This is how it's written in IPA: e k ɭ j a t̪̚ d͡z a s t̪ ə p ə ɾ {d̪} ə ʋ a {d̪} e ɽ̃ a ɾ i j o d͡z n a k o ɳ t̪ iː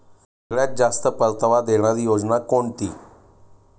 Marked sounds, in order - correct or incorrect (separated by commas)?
incorrect, correct